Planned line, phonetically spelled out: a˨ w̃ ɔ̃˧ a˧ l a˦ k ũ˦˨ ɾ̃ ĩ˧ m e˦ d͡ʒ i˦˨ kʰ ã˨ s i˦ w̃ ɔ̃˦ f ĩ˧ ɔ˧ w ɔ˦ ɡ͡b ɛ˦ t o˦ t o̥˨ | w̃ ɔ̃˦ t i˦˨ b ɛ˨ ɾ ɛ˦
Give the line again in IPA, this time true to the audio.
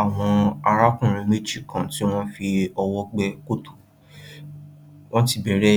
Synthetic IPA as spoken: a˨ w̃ ɔ̃˧ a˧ ɾ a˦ k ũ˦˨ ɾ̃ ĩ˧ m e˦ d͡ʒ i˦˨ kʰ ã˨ t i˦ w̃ ɔ̃˦ f i˧ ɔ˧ w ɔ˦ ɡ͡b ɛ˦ k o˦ t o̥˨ | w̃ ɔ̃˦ t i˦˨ b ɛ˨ ɾ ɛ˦

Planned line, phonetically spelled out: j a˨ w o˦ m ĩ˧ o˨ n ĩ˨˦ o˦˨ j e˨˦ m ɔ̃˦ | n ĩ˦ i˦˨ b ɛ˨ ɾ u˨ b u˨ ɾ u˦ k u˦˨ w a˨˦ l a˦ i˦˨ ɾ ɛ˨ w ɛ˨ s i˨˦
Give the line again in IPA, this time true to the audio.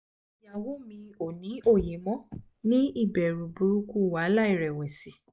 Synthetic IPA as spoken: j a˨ w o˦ m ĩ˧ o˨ n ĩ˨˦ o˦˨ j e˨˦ m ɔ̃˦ | n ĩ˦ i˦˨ b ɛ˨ ɾ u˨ b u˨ ɾ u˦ k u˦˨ w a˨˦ l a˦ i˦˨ ɾ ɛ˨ w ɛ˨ s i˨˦

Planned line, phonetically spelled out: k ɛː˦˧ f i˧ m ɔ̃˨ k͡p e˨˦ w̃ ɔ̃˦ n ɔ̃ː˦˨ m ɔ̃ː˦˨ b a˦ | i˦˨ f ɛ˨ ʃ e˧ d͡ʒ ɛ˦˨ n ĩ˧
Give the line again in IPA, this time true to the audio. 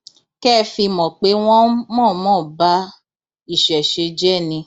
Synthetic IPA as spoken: k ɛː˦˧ f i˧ m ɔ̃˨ k͡p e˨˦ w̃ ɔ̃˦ m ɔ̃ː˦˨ m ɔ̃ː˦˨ b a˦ | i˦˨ ʃ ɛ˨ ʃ e˧ d͡ʒ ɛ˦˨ n ĩ˧

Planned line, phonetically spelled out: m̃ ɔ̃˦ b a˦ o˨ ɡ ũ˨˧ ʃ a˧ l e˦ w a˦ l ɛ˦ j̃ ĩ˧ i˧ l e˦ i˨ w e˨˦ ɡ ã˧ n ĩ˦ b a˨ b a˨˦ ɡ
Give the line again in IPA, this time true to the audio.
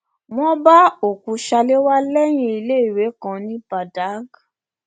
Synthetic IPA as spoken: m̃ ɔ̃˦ b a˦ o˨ k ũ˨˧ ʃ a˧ l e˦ w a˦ l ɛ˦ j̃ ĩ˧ i˧ l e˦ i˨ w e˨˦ k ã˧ n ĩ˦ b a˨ d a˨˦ ɡ

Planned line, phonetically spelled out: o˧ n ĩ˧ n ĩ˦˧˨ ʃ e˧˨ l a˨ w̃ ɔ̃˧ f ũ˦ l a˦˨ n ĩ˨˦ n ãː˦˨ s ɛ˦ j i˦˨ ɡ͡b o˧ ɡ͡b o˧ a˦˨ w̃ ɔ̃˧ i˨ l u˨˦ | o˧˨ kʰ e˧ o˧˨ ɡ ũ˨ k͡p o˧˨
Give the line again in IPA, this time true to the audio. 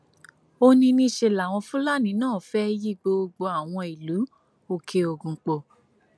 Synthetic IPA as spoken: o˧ n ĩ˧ n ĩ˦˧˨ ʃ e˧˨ l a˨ w̃ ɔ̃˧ f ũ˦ l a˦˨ n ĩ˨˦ n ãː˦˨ f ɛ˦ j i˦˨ ɡ͡b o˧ ɡ͡b o˧ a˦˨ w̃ ɔ̃˧ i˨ l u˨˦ | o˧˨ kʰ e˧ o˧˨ ɡ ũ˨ k͡p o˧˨

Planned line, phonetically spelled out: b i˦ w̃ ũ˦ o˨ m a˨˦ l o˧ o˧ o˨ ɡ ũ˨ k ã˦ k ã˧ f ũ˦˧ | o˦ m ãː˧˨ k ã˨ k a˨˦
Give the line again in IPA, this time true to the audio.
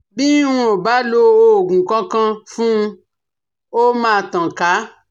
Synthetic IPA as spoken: b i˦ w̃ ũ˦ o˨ b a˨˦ l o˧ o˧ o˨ ɡ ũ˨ k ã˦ k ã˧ f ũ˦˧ | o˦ m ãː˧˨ t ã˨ k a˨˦

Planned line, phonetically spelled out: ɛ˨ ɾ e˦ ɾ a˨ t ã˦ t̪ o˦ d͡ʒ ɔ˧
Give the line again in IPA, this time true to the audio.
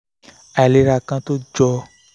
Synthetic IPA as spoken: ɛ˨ l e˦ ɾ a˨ k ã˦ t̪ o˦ d͡ʒ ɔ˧

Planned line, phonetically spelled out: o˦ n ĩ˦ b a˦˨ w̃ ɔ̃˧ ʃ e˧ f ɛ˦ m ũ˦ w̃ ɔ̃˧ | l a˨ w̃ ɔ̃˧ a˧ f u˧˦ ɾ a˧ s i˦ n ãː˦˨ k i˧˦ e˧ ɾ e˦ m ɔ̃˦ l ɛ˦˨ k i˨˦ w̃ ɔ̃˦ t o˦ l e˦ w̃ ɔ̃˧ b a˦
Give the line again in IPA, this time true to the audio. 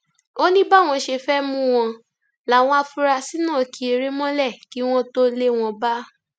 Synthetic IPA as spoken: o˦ n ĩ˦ b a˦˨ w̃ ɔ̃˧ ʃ e˧ f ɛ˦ m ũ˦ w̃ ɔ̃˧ | l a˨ w̃ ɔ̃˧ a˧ f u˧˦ ɾ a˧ s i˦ n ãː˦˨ k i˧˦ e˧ ɾ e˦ m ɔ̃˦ l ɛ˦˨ k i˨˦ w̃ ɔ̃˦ t o˦ l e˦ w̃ ɔ̃˧ b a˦

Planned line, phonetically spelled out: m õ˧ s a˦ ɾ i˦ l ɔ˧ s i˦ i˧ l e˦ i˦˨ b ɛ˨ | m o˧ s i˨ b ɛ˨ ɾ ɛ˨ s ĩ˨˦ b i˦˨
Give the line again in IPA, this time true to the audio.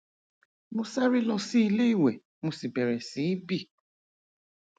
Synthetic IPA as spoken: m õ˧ s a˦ ɾ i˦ l ɔ˧ s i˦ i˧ l e˦ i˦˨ w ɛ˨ | m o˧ s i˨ b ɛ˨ ɾ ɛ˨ s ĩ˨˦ b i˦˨

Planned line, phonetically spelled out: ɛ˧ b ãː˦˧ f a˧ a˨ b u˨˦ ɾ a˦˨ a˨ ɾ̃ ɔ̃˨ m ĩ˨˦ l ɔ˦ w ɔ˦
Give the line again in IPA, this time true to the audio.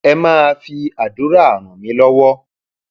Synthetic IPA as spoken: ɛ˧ m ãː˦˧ f i˧ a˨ d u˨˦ ɾ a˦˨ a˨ ɾ̃ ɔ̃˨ m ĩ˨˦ l ɔ˦ w ɔ˦

